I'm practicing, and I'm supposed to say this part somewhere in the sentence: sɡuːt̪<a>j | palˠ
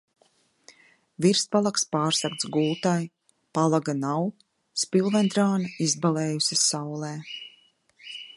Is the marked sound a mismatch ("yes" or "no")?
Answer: no